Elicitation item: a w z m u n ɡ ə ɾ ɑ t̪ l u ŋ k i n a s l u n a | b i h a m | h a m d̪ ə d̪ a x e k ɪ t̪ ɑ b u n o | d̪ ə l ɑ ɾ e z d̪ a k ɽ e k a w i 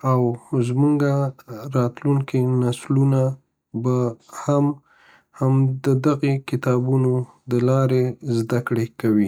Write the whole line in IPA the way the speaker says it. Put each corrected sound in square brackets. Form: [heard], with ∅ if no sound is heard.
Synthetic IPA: a w z m u [ŋ] ɡ [a] ɾ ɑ t̪ l u ŋ k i n a s l u n a | b [a] h a m | h a m d̪ ə d̪ a [ɣ] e k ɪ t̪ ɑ b u n o | d̪ ə l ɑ ɾ e z d̪ a k ɽ e k a w i

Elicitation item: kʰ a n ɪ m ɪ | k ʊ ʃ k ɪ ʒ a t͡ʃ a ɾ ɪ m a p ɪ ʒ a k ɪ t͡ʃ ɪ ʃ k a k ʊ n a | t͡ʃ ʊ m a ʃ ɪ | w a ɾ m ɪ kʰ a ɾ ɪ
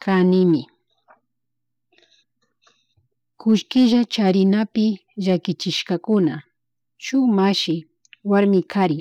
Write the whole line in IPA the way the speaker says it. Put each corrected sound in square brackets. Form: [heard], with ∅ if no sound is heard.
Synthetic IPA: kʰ a n ɪ m ɪ | k ʊ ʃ k ɪ ʒ a t͡ʃ a ɾ ɪ [n] a p ɪ ʒ a k ɪ t͡ʃ ɪ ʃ k a k ʊ n a | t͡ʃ ʊ m a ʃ ɪ | w a ɾ m ɪ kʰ a ɾ ɪ

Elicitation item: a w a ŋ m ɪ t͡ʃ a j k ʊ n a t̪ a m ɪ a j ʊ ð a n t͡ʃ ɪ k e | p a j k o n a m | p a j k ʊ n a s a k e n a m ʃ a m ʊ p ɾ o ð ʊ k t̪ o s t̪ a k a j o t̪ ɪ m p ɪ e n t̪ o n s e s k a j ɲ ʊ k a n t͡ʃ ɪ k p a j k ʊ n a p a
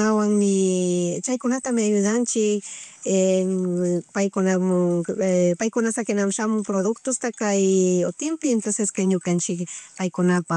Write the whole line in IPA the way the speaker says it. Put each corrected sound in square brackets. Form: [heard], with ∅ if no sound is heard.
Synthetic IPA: a w a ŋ m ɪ t͡ʃ a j k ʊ n a t̪ a m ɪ a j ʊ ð a n t͡ʃ ɪ k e | p a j k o n a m | p a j k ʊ n a s a k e n a m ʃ a m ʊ p ɾ o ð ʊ k t̪ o s t̪ a k a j o t̪ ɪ m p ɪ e n t̪ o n s e s k a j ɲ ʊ k a n t͡ʃ ɪ k p a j k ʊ n a p a

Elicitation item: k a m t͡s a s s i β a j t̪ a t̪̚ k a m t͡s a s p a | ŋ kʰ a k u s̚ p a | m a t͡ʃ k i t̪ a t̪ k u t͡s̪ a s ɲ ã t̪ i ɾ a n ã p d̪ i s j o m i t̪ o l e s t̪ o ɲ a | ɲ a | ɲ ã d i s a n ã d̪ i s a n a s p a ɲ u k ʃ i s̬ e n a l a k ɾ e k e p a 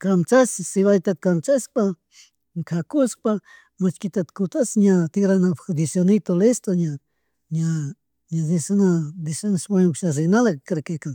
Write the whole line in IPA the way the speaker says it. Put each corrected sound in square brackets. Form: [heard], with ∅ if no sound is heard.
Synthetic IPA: k a m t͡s a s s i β a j t̪ a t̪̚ k a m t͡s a s p a | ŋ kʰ a k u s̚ p a | m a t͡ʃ k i t̪ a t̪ k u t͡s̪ a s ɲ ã t̪ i ɾ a n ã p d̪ i s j o [n] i t̪ o l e s t̪ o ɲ a | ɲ a | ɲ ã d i s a n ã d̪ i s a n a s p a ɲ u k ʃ [a] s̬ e n a l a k ɾ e k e [k] a

